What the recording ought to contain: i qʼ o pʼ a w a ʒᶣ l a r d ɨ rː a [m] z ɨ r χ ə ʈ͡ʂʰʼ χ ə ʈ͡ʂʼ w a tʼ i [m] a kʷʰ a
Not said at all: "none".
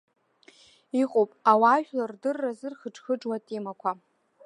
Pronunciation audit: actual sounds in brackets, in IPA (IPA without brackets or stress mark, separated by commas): none, m